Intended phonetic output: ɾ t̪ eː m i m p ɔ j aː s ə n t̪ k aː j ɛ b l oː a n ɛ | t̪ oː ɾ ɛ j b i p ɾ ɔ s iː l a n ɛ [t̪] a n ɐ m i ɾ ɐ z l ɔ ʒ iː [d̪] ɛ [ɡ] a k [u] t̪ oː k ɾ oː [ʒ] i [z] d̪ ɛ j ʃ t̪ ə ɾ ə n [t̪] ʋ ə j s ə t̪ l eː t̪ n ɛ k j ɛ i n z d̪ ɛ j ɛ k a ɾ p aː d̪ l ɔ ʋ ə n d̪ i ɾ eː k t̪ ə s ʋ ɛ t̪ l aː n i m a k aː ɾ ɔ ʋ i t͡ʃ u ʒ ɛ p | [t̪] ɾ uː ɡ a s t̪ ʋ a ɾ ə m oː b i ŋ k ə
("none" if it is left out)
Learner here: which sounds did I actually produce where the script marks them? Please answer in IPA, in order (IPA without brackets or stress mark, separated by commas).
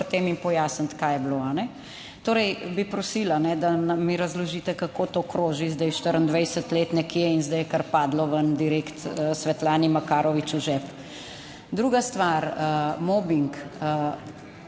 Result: d̪, t̪, k, o, ʒ, z, d̪, d̪